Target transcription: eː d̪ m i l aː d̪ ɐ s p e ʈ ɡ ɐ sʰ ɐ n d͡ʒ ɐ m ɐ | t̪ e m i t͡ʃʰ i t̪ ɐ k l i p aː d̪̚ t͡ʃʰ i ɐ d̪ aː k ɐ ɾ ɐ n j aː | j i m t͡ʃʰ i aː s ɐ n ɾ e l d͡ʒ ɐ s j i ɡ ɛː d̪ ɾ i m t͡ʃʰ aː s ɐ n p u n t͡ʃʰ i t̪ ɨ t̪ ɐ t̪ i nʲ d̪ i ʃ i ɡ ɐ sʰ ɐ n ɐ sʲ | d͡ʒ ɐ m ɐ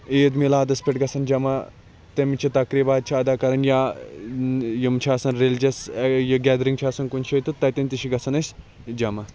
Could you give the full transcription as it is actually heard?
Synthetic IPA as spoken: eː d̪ m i l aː d̪ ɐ s p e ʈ ɡ ɐ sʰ ɐ n d͡ʒ ɐ m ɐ | t̪ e m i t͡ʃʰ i t̪ ɐ k ɾ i b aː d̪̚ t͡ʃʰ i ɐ d̪ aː k ɐ ɾ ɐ n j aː | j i m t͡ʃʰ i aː s ɐ n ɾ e l d͡ʒ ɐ s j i ɡ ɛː d̪ ɾ i ŋ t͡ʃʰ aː s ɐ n k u n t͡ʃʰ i t̪ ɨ t̪ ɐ t̪ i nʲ t̪ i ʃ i ɡ ɐ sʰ ɐ n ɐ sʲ | d͡ʒ ɐ m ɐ